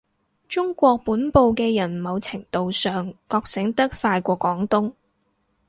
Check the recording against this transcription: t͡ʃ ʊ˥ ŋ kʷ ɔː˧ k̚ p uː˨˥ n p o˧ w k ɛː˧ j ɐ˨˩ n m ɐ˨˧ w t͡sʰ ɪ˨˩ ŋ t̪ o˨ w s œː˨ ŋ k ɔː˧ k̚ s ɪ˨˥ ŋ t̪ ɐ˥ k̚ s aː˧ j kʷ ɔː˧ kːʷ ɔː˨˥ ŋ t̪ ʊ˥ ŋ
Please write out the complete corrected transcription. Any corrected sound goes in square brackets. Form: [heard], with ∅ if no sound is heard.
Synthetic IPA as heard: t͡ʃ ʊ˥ ŋ kʷ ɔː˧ k̚ p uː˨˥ n p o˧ w k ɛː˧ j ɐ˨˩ n m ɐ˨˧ w t͡sʰ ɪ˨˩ ŋ t̪ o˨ w s œː˨ ŋ k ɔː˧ k̚ s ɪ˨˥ ŋ t̪ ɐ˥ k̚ [f] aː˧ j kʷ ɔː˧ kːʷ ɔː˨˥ ŋ t̪ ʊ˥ ŋ